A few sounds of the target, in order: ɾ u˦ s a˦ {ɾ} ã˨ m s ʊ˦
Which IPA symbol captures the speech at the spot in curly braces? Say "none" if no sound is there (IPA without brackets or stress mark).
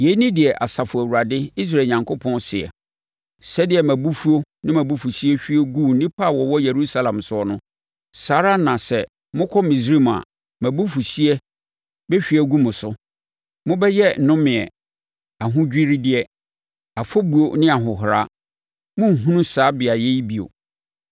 l